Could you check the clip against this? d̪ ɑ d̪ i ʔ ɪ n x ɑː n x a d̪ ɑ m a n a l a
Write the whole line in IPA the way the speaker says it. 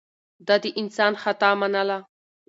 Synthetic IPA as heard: d̪ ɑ d̪ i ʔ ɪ n s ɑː n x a t̪ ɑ m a n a l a